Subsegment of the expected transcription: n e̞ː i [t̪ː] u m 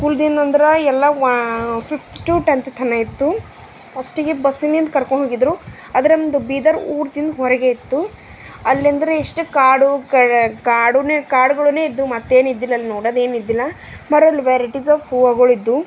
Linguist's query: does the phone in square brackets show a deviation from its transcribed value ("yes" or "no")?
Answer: yes